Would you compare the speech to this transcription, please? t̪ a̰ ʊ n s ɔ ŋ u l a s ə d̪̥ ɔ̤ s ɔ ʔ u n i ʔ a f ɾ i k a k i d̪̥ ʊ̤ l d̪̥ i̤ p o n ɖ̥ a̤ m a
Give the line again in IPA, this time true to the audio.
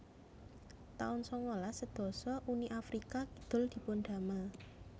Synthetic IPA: t̪ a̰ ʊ n s ɔ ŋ o l a s ə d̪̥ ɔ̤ s ɔ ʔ u n i ʔ a f ɾ i k a k i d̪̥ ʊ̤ l d̪̥ i̤ p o n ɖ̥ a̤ m a